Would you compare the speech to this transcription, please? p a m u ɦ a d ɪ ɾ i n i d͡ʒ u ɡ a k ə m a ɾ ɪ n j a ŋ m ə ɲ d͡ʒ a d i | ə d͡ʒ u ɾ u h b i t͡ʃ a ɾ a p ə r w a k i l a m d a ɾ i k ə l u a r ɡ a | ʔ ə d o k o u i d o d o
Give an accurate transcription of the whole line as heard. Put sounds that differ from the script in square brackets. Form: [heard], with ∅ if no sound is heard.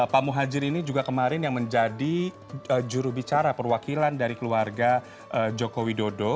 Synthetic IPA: p a m u ɦ a [d͡ʒ] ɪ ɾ i n i d͡ʒ u ɡ a k ə m a ɾ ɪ n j a ŋ m ə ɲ d͡ʒ a d i | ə d͡ʒ u ɾ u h b i t͡ʃ a ɾ a p ə r w a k i l a [n] d a ɾ i k ə l u a r ɡ a | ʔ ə [d͡ʒ] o k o [w] i d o d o